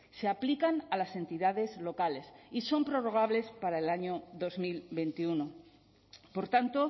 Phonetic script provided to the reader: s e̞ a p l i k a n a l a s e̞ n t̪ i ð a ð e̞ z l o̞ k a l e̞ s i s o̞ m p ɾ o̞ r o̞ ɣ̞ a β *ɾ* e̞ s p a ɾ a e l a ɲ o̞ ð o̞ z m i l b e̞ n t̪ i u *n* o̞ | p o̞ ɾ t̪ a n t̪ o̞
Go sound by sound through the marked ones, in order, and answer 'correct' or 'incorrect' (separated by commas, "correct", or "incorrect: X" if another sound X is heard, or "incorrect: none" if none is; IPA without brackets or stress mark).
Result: incorrect: l, correct